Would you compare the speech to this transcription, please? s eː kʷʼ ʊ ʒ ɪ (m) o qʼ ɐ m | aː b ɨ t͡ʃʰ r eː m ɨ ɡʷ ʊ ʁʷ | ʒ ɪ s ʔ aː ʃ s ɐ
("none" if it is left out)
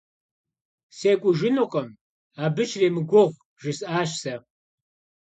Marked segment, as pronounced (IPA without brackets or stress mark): n